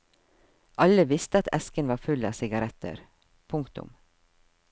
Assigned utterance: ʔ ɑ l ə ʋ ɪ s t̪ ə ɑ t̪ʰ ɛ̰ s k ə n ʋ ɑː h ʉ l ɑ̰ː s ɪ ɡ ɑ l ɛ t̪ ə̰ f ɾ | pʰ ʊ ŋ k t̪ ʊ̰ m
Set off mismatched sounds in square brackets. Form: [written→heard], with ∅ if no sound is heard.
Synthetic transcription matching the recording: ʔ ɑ l ə ʋ ɪ s t̪ ə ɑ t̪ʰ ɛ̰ s k ə n ʋ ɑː [h→f] ʉ l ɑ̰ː s ɪ ɡ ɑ [l→ɾ] ɛ t̪ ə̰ [f→∅] ɾ | pʰ ʊ ŋ k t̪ ʊ̰ m